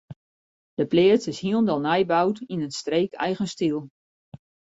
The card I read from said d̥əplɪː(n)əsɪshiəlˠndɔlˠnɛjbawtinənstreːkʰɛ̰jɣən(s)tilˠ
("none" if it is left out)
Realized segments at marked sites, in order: none, s

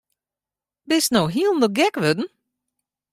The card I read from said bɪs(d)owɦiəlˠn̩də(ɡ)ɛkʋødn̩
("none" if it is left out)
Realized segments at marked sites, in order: n, ɡ

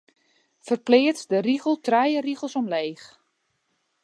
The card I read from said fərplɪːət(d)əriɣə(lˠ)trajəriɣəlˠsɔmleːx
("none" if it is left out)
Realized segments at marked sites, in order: d, lˠ

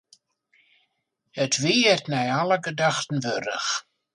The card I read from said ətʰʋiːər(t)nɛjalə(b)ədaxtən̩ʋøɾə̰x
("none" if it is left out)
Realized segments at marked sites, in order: t, ɡ

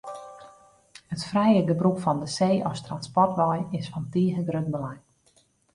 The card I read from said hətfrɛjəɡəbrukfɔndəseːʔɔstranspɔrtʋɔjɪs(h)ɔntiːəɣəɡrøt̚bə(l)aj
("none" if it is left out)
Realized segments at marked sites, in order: f, l

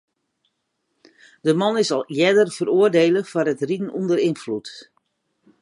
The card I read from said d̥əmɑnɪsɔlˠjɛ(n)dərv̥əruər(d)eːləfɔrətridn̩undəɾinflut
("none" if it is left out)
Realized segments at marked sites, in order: none, d

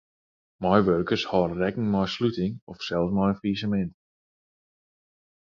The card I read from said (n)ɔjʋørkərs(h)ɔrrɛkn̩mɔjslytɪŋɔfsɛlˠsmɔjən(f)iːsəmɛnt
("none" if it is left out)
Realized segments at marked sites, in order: m, h, f

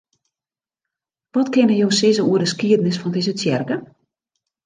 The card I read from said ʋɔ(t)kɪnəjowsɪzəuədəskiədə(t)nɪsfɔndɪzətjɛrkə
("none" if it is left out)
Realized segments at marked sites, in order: t, none

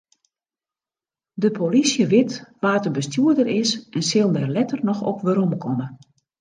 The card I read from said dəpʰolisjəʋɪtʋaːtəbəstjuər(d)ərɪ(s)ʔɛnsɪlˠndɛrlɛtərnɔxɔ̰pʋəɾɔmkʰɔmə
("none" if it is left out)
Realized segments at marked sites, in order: d, s

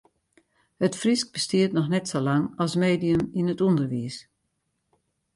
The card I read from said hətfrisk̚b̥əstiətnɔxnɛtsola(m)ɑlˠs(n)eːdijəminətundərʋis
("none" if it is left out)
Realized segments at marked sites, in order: ŋ, m

